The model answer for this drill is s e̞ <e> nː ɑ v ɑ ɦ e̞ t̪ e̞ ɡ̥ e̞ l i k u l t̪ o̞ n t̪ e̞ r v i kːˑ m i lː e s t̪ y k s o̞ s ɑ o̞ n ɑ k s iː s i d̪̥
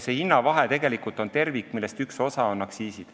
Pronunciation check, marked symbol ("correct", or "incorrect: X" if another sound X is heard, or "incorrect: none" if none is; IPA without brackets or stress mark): incorrect: i